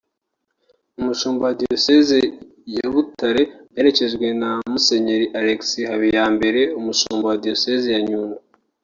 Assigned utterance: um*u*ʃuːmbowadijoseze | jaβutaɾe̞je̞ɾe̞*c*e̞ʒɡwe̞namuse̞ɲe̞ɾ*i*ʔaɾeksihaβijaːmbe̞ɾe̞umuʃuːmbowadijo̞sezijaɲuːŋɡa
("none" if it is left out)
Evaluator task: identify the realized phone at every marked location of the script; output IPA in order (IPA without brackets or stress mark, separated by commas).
u, c, i